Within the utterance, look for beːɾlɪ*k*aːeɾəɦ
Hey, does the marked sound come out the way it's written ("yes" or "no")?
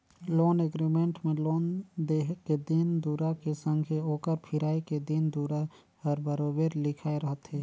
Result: no